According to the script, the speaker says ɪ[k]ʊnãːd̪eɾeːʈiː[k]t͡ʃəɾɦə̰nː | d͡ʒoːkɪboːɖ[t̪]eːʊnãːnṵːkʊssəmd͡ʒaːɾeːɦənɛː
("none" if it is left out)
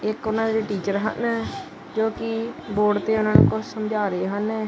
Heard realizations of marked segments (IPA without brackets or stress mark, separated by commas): k, none, t̪